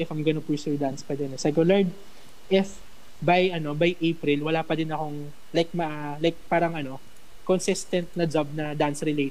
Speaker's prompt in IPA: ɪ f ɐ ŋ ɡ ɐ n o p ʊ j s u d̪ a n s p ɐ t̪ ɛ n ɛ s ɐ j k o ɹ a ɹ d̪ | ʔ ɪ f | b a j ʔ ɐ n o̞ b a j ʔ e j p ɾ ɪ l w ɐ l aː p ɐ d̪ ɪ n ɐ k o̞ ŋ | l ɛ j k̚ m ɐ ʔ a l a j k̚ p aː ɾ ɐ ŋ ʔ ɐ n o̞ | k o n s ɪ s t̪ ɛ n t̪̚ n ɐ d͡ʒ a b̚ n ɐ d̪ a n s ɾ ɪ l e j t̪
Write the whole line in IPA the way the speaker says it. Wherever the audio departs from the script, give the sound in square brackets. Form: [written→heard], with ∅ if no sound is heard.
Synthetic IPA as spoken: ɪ f ɐ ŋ ɡ ɐ n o p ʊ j s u d̪ a n s p ɐ [t̪→d̪] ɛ n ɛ s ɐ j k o [ɹ→l] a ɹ d̪ | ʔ ɪ f | b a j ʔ ɐ n o̞ b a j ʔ e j p ɾ ɪ l w ɐ l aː p ɐ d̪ ɪ n ɐ k o̞ ŋ | l [ɛ→a] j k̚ m ɐ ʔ a l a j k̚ p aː ɾ ɐ ŋ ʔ ɐ n o̞ | k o n s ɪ s t̪ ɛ n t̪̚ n ɐ d͡ʒ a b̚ n ɐ d̪ a n s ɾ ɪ l e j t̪